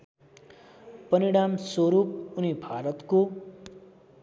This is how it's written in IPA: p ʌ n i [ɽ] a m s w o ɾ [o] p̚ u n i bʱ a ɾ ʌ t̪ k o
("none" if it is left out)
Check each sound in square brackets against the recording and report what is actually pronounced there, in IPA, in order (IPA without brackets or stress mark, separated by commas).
ɽ, u